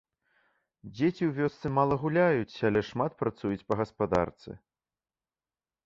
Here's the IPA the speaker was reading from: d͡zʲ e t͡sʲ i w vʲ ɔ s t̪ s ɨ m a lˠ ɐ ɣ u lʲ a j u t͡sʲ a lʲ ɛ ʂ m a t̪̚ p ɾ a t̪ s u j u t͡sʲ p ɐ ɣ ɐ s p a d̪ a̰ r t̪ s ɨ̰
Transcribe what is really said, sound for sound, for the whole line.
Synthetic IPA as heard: d͡zʲ e t͡sʲ i w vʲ ɔ s t̪ s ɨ m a lˠ ɐ ɣ u lʲ a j u t͡sʲ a lʲ ɛ ʂ m a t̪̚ p ɾ a t̪ s u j u t͡sʲ p ɐ ɣ ɐ s p a d̪ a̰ r t̪ s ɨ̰